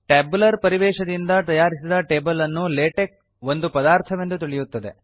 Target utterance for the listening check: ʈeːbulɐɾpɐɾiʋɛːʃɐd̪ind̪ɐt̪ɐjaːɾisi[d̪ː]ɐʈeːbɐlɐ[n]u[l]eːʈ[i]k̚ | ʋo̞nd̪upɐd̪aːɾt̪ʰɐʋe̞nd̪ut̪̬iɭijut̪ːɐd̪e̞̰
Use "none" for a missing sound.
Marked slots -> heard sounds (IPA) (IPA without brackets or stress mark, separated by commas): d̪, nː, l, e